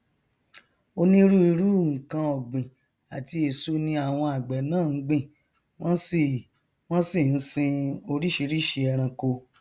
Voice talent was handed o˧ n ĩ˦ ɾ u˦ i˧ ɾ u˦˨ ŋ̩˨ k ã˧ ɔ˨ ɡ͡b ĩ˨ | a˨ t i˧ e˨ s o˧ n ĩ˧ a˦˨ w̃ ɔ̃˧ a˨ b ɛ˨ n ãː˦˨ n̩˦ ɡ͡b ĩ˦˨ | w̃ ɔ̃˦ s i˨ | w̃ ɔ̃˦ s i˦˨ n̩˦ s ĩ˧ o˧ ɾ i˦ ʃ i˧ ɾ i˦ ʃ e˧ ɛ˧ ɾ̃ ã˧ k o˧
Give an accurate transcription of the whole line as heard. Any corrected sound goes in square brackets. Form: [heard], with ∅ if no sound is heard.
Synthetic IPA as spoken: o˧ n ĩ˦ ɾ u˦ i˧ ɾ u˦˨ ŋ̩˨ k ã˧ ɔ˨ ɡ͡b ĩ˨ | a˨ t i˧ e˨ s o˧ n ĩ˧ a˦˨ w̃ ɔ̃˧ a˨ [ɡ͡b] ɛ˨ n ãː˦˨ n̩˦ ɡ͡b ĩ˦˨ | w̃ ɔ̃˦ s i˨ | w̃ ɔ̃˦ s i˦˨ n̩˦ s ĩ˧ o˧ ɾ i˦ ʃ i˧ ɾ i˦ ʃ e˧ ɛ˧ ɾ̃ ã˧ k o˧